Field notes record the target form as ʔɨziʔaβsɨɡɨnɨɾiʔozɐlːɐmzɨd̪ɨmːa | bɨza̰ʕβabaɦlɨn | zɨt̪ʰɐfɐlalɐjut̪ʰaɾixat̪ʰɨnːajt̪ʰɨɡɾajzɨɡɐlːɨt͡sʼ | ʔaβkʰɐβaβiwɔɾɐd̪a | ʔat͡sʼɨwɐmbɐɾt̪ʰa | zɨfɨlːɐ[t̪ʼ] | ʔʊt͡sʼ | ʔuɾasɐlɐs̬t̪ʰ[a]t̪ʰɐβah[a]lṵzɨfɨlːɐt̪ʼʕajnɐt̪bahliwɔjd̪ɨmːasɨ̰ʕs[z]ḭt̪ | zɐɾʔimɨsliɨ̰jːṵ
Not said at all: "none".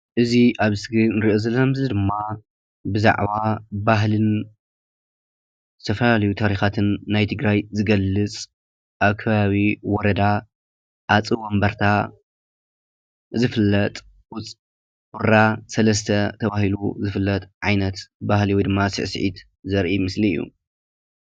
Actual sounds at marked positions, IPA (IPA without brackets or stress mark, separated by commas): t̪ʼ, ɐ, i, ʕ